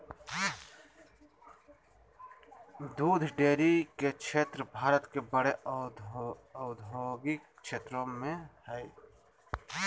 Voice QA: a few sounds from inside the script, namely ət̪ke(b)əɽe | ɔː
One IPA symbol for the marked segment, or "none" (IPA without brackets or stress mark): b